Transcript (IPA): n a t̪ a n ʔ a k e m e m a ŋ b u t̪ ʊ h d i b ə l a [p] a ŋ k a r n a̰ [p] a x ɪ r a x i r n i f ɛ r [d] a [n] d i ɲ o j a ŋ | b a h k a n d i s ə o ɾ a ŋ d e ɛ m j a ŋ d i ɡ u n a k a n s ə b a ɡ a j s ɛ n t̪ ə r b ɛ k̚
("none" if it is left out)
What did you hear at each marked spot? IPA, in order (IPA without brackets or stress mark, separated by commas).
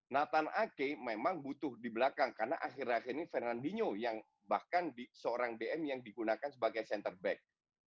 k, ʔ, n, n